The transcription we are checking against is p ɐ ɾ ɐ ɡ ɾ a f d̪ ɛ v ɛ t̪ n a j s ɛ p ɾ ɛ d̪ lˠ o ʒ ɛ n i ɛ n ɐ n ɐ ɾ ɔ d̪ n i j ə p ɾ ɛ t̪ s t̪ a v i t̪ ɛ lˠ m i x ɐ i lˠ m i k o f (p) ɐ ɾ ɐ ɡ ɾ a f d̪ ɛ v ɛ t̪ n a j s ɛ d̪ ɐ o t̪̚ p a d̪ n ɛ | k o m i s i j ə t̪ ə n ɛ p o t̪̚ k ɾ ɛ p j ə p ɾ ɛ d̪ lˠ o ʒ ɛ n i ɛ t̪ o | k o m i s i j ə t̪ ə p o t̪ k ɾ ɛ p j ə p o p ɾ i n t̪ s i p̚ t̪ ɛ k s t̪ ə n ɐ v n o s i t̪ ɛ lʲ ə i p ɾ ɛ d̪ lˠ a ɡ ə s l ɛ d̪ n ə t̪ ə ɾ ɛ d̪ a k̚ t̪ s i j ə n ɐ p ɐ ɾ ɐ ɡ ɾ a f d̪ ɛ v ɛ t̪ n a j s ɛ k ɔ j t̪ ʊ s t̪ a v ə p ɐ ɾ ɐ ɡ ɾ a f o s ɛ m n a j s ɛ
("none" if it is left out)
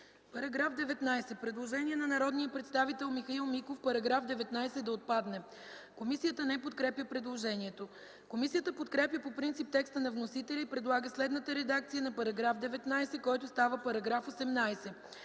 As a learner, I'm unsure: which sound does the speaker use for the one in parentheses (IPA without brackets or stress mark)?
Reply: p